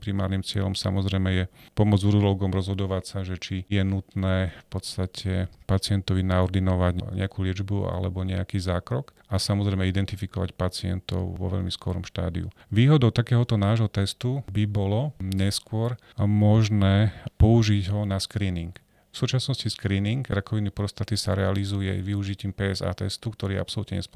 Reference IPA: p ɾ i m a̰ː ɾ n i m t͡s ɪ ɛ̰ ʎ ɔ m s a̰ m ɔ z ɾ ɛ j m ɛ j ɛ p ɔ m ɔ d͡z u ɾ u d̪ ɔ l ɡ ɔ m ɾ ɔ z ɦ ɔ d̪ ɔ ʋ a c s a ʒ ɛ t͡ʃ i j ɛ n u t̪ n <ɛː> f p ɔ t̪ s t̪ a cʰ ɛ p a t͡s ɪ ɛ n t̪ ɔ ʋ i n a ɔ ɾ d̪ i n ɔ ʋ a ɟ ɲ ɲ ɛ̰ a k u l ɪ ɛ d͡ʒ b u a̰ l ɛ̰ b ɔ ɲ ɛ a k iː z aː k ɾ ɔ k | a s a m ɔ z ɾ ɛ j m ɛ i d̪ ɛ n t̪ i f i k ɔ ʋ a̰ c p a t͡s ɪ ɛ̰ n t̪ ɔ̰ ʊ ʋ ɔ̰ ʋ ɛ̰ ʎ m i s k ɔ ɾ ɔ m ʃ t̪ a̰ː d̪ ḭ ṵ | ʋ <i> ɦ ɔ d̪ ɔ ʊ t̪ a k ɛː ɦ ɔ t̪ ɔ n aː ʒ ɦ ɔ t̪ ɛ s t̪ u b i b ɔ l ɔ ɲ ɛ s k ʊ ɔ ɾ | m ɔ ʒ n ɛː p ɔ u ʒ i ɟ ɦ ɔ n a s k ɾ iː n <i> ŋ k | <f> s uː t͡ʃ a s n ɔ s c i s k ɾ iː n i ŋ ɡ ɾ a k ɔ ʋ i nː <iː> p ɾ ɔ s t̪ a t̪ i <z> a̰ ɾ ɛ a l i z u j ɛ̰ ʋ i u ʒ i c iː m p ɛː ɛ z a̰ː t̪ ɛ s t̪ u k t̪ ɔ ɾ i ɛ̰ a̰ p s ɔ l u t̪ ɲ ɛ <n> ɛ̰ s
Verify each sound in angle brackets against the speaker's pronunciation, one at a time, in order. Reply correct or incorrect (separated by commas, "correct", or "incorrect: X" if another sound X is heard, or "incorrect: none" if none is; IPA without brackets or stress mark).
correct, incorrect: iː, correct, correct, incorrect: i, incorrect: s, incorrect: ɲ